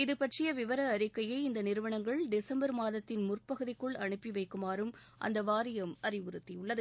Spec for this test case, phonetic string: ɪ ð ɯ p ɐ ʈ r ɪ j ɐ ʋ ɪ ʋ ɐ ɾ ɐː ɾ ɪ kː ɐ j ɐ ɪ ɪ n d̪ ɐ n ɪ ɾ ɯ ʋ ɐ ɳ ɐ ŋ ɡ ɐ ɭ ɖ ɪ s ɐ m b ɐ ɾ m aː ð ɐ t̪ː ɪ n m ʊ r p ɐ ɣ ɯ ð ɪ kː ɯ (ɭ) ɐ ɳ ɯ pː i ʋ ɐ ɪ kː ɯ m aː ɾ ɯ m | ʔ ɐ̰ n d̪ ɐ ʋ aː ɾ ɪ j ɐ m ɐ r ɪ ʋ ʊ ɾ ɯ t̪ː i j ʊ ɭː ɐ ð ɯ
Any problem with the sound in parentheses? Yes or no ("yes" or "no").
no